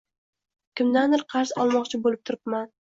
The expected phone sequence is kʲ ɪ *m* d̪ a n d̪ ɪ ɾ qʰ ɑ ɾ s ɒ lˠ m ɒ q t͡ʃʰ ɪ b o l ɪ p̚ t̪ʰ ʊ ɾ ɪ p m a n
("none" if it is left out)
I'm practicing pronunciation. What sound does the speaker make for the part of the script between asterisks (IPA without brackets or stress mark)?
m